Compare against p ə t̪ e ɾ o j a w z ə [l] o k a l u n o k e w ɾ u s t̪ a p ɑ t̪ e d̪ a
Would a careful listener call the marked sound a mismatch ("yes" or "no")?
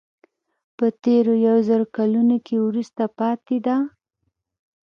yes